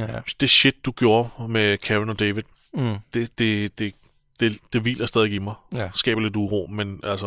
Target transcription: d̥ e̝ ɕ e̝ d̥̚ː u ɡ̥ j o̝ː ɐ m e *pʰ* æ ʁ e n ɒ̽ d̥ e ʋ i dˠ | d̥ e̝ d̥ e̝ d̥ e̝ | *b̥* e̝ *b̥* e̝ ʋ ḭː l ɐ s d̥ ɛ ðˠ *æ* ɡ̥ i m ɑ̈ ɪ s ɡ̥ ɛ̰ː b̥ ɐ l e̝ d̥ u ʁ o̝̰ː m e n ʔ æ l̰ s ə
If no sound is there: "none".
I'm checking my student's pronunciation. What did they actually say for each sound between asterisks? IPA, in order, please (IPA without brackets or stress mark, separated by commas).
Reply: kʰ, d̥, d̥, e